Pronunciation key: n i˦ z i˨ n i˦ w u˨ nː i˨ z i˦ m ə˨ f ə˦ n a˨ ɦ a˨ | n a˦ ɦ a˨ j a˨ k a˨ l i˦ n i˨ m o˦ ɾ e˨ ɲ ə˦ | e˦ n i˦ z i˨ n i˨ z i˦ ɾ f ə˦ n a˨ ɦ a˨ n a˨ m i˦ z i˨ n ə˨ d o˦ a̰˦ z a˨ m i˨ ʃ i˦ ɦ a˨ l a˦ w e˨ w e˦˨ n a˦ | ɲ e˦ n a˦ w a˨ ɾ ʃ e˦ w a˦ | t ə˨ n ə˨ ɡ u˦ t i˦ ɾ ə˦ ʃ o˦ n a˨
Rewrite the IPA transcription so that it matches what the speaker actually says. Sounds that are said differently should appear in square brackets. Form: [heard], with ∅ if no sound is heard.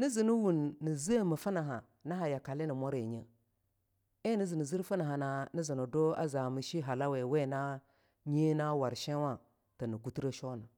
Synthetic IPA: n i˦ z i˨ n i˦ w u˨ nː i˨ z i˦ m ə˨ f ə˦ n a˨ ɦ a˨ | n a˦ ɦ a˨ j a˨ k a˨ l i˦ n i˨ m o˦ ɾ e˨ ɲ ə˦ | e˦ n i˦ z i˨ n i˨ z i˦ ɾ f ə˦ n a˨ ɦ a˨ n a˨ [n] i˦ z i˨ n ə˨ d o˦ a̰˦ z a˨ m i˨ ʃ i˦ ɦ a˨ l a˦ w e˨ w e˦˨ n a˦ | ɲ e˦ n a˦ w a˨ ɾ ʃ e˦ w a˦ | t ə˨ n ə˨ ɡ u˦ t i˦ ɾ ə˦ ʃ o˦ n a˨